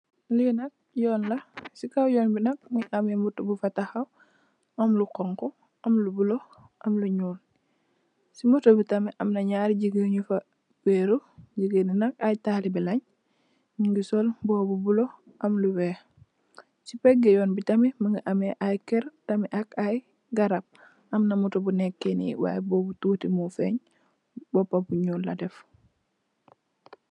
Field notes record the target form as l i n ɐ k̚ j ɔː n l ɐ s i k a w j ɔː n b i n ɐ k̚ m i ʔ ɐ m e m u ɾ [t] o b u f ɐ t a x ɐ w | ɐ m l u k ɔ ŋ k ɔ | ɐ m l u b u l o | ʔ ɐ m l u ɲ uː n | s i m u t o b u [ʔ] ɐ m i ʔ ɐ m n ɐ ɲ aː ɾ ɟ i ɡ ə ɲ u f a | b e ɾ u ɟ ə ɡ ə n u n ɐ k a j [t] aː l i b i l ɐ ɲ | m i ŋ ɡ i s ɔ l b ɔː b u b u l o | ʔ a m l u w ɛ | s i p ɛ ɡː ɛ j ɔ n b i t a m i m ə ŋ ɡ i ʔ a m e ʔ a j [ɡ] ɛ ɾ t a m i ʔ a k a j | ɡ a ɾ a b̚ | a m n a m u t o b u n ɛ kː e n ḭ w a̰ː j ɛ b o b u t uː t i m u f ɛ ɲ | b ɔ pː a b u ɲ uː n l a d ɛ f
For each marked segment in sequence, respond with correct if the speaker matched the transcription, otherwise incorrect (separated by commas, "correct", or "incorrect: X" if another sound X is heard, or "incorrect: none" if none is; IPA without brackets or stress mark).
correct, incorrect: t, correct, incorrect: k